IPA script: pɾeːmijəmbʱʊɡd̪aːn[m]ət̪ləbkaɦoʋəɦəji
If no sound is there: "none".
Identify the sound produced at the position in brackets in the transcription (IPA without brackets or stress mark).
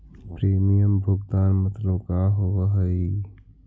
m